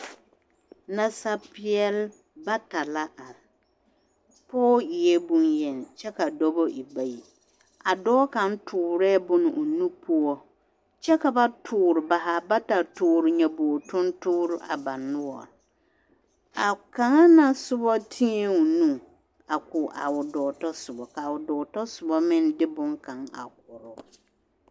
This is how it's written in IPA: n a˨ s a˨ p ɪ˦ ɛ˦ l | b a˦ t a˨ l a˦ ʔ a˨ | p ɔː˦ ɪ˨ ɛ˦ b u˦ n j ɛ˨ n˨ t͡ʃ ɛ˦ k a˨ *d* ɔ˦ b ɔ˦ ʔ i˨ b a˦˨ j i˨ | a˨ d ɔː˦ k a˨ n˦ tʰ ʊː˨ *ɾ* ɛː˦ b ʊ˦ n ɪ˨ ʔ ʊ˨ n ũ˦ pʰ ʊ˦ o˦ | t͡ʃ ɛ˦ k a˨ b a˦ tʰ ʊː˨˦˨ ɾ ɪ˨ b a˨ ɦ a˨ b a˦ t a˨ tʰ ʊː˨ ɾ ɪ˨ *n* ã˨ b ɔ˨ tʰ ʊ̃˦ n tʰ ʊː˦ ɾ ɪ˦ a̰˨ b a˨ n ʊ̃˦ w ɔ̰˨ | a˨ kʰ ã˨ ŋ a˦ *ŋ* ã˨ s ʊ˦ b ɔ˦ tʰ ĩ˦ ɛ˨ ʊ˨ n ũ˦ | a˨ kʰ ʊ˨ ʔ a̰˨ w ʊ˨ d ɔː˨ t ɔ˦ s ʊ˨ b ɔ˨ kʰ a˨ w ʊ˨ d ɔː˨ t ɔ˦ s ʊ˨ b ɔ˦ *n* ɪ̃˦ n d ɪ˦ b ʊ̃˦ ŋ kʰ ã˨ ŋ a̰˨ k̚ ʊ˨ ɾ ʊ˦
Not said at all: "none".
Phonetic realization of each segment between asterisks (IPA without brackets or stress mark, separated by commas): d, ɾ, ɲ, n, m